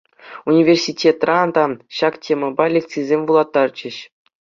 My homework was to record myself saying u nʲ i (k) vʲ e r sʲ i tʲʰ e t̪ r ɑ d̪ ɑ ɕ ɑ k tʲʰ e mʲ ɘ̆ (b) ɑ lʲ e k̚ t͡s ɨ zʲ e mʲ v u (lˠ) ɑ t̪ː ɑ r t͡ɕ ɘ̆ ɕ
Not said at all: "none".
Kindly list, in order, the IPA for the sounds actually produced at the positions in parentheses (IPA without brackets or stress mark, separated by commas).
none, b, lˠ